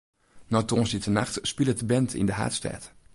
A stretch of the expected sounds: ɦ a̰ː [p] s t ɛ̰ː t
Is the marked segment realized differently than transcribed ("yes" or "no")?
yes